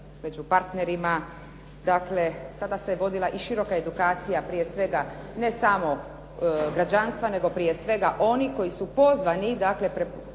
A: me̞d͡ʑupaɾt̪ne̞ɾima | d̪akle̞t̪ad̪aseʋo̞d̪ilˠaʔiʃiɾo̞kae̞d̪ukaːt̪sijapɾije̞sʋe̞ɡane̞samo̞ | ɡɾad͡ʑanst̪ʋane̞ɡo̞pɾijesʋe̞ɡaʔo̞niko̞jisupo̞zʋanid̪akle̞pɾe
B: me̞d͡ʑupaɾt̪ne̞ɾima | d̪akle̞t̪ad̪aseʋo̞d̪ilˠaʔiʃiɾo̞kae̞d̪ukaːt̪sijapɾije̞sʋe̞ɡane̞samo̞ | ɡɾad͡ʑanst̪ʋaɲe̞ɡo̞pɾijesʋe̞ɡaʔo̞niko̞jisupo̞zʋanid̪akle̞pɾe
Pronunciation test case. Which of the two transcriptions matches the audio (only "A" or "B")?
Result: A